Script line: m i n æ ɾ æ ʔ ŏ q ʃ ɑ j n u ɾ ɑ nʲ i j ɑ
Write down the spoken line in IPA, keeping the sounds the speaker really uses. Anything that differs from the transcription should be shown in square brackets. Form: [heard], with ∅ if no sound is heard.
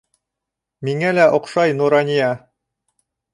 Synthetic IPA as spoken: m i [ŋ] æ [l] æ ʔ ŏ q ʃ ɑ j n u ɾ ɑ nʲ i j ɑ